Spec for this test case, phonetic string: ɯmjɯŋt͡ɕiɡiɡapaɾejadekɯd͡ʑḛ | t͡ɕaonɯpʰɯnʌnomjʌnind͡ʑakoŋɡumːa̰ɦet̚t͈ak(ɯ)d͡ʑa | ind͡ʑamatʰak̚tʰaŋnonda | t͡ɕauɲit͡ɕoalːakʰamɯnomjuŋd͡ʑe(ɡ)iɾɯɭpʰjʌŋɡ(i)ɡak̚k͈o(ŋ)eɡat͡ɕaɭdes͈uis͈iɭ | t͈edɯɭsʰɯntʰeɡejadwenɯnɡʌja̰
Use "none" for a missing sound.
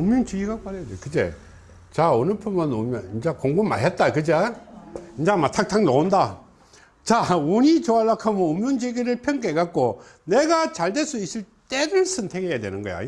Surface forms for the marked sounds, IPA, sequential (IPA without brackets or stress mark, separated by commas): ɯ, ɡ, e, n